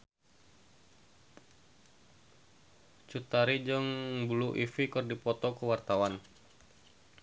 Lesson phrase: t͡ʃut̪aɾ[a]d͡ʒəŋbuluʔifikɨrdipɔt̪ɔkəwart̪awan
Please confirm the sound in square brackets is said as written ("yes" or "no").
no